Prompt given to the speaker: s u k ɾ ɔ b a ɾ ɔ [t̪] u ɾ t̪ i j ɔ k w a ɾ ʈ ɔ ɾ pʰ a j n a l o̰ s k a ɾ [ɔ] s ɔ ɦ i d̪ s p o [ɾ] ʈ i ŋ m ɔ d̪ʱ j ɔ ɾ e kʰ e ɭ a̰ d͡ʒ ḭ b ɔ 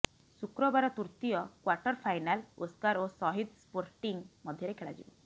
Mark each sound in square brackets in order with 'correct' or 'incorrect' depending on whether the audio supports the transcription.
correct, incorrect: o, correct

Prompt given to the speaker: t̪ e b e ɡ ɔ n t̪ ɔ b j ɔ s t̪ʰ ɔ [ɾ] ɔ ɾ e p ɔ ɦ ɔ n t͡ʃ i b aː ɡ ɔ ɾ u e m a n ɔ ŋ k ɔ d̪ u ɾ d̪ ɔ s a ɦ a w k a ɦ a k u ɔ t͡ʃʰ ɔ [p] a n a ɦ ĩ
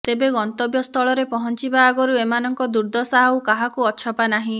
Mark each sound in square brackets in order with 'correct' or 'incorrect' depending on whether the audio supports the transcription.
incorrect: ɭ, correct

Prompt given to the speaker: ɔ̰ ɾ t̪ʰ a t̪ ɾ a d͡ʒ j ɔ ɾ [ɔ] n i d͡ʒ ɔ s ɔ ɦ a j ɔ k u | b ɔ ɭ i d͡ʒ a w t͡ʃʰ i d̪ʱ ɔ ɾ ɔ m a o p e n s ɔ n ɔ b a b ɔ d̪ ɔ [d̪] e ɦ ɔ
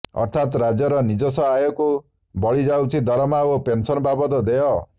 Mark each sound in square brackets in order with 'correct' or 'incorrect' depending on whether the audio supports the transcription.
correct, correct

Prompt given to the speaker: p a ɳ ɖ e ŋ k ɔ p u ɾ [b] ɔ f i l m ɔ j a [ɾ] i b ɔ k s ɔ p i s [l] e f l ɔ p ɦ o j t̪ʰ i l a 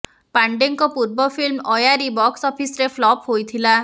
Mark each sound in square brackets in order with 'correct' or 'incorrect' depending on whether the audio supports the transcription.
correct, correct, incorrect: ɾ

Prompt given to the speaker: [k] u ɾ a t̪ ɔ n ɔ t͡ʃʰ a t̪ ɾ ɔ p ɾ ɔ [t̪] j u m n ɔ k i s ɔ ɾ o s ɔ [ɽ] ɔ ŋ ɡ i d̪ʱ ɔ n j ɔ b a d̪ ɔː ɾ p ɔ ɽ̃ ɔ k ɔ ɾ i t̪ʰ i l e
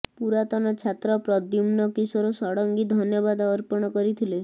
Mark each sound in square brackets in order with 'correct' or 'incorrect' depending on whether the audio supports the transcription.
incorrect: p, incorrect: d̪, correct

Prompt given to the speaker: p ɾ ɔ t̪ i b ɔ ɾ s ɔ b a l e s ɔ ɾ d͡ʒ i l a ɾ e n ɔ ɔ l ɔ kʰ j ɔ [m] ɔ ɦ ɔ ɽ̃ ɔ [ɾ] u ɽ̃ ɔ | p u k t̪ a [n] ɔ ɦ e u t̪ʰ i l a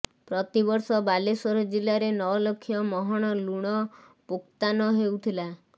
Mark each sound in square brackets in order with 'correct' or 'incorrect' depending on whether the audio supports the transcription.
correct, incorrect: l, correct

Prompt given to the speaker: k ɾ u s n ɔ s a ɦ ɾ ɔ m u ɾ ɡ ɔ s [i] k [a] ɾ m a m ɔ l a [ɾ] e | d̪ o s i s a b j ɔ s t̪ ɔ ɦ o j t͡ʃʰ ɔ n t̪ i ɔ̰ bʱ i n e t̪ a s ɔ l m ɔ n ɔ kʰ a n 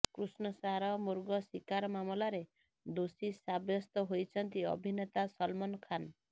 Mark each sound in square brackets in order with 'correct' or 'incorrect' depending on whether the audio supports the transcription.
correct, correct, correct

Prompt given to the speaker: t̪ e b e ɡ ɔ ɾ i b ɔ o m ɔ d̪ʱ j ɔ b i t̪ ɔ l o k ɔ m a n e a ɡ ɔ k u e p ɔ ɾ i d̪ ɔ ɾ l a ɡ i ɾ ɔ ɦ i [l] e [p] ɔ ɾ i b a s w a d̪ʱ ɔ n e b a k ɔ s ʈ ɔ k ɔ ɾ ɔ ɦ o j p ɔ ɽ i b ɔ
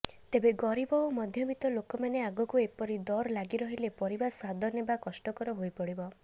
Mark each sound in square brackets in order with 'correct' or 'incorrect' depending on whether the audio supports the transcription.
correct, correct

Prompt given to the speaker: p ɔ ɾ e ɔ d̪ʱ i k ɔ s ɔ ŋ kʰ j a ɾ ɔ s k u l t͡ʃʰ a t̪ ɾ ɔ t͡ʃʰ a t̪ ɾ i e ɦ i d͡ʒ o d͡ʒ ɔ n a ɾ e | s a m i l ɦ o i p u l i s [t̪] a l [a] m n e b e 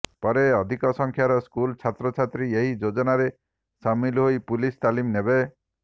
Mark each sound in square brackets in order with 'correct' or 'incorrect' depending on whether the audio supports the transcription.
correct, incorrect: i

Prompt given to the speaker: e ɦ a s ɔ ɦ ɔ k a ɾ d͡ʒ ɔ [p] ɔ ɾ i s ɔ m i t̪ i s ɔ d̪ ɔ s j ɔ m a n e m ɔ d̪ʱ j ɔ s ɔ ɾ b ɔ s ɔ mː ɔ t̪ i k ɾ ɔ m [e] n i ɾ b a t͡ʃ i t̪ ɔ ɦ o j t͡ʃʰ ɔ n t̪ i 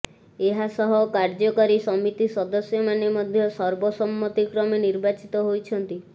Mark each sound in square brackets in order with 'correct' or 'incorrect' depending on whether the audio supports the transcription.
incorrect: k, correct

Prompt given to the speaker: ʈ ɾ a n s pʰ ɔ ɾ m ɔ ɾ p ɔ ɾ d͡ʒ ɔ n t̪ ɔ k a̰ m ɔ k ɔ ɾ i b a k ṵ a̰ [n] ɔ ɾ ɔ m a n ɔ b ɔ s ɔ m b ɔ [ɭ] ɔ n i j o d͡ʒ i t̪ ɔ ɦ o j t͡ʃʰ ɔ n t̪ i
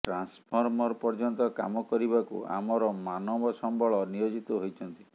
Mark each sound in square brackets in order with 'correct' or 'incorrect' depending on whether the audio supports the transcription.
incorrect: m, correct

